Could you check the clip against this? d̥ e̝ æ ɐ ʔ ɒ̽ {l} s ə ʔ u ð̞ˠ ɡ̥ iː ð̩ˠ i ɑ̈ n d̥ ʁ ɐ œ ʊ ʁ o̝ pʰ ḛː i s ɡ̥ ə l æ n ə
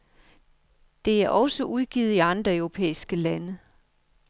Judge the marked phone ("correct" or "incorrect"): incorrect